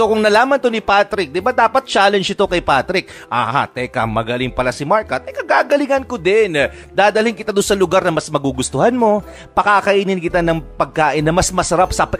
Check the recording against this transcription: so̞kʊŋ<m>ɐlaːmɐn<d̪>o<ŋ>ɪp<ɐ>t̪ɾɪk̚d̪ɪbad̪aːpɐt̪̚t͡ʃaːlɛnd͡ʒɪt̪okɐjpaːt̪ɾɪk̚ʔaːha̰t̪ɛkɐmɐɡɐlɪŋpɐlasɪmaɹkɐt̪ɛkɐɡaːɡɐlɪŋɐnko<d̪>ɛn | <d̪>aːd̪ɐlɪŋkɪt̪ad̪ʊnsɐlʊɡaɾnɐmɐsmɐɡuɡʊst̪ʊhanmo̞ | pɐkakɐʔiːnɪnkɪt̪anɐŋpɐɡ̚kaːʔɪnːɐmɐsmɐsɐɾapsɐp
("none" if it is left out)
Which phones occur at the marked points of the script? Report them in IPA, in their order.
n, t̪, n, a, d̪, d̪

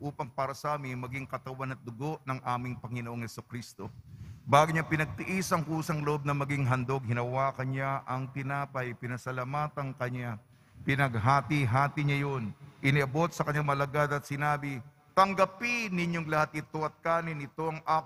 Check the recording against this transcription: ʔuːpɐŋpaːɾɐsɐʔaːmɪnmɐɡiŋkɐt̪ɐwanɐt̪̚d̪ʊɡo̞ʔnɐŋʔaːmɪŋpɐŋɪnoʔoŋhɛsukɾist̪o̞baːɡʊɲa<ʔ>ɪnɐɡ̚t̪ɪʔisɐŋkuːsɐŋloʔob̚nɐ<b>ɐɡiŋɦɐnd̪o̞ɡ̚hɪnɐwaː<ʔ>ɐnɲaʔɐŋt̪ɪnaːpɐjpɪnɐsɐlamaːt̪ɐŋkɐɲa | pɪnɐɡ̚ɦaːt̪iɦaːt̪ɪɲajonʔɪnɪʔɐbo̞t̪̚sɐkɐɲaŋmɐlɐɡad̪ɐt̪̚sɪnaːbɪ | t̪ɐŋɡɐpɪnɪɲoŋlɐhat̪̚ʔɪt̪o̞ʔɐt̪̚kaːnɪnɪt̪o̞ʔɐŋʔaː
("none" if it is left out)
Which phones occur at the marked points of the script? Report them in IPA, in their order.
p, m, k

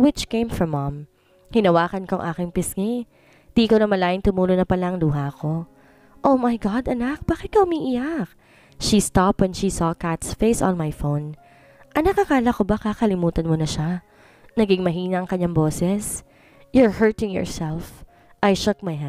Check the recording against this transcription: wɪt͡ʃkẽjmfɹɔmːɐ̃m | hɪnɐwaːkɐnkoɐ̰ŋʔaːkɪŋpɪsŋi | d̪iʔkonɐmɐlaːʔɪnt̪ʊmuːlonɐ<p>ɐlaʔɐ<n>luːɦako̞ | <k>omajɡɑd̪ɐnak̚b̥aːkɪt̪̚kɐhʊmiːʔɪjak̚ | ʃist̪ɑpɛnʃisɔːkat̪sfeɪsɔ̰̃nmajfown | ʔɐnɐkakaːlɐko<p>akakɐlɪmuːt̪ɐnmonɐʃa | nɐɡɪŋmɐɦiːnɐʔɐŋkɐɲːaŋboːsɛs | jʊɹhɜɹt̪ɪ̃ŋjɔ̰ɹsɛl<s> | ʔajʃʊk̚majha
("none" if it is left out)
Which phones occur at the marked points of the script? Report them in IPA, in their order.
p, ŋ, ʔ, b, f

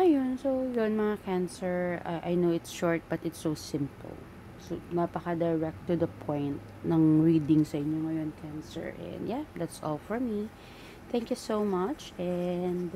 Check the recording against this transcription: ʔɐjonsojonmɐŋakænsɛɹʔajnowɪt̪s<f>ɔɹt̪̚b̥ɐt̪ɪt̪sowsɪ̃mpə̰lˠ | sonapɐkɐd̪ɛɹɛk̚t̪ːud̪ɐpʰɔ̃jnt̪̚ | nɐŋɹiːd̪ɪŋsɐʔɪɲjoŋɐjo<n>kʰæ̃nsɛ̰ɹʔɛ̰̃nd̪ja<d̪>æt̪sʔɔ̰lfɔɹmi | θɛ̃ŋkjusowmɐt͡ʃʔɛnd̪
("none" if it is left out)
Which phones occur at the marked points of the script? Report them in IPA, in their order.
ʃ, n, d̪

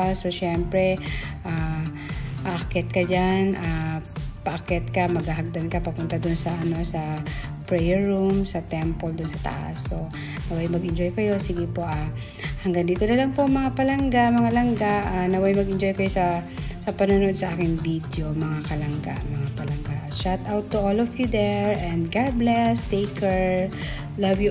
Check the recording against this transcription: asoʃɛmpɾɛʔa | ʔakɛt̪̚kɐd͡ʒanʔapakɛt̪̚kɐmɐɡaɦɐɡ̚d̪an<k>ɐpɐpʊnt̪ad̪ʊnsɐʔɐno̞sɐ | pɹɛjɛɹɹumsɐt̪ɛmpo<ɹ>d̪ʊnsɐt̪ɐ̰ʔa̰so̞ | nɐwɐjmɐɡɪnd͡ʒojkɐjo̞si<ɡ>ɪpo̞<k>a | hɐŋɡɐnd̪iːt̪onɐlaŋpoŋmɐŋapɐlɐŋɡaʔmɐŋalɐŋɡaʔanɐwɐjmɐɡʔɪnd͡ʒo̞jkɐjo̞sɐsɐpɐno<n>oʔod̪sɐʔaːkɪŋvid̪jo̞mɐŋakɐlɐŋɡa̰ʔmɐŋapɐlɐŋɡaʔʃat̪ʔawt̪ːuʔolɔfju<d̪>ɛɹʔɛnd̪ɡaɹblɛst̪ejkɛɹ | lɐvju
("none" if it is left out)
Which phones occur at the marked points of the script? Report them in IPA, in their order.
k, l, ɡ, ʔ, n, d̪

